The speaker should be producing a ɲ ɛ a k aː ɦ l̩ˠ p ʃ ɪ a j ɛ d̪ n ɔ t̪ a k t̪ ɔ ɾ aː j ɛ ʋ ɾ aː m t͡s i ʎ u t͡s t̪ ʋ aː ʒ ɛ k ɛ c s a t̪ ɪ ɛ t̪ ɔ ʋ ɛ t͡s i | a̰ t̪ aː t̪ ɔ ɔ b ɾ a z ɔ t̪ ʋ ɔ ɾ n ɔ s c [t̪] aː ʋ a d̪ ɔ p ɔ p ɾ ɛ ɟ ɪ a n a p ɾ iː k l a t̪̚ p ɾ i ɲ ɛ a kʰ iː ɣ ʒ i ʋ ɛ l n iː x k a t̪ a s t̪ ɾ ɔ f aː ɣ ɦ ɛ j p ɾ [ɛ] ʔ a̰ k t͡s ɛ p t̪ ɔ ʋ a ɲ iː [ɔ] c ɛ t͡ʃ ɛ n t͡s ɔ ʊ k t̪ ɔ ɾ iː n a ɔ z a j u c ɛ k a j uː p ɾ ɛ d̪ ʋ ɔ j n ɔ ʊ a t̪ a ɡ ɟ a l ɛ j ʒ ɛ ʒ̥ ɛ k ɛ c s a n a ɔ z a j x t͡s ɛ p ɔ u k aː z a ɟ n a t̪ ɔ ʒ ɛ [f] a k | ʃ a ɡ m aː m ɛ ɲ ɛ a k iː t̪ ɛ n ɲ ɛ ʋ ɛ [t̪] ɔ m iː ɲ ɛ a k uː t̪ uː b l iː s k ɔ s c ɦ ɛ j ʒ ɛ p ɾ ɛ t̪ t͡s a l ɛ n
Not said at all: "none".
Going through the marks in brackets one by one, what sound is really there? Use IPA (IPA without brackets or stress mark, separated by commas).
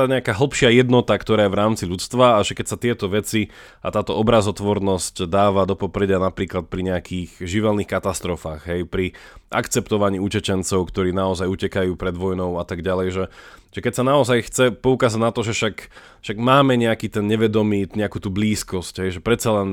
d̪, i, u, ʃ, d̪